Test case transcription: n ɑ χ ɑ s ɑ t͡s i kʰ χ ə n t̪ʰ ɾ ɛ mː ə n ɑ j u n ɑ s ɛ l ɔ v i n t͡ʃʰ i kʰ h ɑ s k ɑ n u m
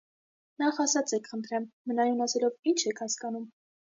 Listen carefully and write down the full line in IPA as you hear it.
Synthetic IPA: n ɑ χ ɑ s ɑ t͡s ɛ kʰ χ ə n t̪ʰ ɾ ɛ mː ə n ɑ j u n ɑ s ɛ l ɔ v i n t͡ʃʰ ɛ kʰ h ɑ s k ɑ n u m